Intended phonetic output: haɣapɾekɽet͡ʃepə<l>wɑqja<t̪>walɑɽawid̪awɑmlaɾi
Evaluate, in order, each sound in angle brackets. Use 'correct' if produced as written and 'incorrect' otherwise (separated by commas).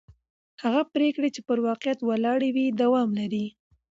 incorrect, correct